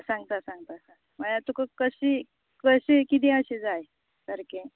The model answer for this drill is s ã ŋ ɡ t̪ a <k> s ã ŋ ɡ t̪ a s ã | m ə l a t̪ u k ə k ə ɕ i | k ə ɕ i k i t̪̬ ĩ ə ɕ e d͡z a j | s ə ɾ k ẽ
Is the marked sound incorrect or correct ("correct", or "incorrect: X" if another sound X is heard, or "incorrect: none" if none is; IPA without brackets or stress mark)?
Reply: incorrect: none